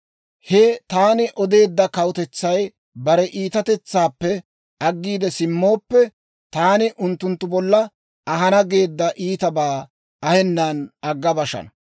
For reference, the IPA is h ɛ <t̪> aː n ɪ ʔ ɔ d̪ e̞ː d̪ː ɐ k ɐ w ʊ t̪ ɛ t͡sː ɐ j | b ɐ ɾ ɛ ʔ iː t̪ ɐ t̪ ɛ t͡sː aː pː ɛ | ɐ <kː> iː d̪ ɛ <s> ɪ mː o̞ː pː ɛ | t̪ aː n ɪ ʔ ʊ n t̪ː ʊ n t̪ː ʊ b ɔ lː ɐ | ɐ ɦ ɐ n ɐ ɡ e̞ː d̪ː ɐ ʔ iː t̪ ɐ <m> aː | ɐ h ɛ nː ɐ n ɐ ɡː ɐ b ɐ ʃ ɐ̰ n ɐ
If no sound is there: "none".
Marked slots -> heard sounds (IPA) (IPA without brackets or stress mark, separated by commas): t̪, ɡː, s, b